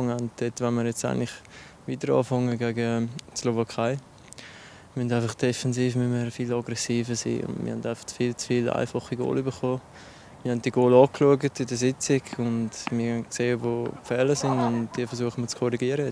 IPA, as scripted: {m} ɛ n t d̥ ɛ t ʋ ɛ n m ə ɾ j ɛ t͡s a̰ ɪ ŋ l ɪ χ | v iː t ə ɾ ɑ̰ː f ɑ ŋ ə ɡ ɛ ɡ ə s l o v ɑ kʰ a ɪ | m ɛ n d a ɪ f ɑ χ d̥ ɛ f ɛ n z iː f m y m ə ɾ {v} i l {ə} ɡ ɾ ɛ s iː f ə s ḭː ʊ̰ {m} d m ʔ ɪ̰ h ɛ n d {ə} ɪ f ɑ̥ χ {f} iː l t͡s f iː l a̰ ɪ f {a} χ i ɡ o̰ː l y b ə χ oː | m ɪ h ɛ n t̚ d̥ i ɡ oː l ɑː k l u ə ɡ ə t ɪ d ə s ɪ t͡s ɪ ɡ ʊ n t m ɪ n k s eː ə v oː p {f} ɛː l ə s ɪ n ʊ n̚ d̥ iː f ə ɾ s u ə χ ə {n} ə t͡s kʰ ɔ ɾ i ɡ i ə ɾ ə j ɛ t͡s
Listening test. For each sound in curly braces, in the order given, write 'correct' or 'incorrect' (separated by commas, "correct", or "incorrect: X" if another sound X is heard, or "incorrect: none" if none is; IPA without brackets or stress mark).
incorrect: ŋ, incorrect: f, incorrect: ɑ, incorrect: n, incorrect: a, correct, incorrect: ɑ, correct, incorrect: m